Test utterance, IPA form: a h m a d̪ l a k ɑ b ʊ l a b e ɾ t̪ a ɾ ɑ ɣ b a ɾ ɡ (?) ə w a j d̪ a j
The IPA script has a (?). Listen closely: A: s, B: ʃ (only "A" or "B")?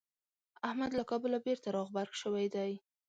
B